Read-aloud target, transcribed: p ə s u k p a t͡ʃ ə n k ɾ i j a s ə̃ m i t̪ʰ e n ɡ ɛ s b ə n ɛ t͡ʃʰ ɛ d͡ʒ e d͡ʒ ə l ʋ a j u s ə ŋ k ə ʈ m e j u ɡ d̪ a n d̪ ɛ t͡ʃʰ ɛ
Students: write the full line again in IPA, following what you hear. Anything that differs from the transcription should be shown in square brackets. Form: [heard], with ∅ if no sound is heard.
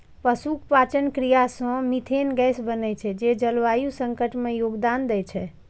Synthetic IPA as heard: p ə s u k p a t͡ʃ ə n k ɾ i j a s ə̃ m i t̪ʰ e n ɡ ɛ s b ə n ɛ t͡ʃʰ ɛ d͡ʒ e d͡ʒ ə l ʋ a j u s ə ŋ k ə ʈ m e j [o] ɡ d̪ a n d̪ ɛ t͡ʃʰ ɛ